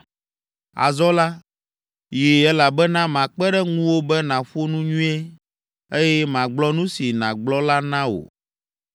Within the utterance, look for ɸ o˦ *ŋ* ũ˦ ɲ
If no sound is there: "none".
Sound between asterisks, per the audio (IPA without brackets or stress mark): n